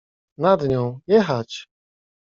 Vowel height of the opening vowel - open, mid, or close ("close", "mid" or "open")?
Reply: open